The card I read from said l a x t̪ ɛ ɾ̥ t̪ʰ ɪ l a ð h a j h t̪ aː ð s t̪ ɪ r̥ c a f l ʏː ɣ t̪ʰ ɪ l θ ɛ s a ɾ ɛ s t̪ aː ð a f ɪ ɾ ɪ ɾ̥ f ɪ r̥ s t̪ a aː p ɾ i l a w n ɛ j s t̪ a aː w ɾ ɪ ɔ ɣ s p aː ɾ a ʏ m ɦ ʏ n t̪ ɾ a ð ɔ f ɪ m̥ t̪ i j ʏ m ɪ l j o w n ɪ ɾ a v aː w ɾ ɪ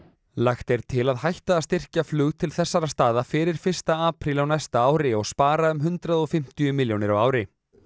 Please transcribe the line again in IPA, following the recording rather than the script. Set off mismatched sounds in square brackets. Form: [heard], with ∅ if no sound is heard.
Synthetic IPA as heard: l a x t̪ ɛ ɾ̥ t̪ʰ ɪ l a ð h a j h t̪ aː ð s t̪ ɪ r̥ c a f l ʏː ɣ t̪ʰ ɪ l θ ɛ [sː] a ɾ [a] s t̪ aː ð a f ɪ ɾ ɪ ɾ̥ f ɪ r̥ s t̪ a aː p ɾ i l a w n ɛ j s t̪ a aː w ɾ ɪ ɔ ɣ s p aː ɾ a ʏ m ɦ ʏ n t̪ ɾ a ð ɔ f ɪ m̥ t̪ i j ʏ m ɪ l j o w n ɪ ɾ a [w] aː w ɾ ɪ